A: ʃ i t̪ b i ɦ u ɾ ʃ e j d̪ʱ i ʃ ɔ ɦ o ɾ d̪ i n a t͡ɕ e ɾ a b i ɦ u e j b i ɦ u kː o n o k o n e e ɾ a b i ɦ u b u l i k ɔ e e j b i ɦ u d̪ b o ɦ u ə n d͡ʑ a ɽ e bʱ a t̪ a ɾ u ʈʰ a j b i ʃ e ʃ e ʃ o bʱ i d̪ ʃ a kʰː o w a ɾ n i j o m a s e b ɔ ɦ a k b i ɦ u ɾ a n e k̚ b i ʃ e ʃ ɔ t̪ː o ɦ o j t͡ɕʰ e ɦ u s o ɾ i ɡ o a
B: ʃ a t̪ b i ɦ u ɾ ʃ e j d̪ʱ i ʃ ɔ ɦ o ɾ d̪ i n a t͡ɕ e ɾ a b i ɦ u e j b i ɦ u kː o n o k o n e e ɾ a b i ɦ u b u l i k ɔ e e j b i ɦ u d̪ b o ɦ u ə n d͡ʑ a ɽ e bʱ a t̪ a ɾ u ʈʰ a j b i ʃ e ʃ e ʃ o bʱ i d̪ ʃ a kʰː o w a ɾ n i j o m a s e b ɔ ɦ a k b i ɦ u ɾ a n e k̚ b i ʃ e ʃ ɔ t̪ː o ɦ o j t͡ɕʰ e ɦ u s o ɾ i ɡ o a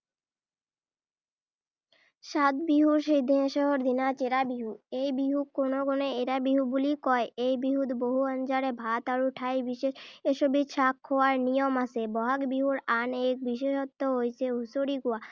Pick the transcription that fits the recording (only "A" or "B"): B